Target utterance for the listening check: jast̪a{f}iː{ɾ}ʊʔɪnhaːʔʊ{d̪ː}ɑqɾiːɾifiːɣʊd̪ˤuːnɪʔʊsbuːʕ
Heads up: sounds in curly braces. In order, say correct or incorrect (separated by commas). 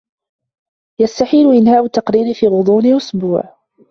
incorrect, incorrect, incorrect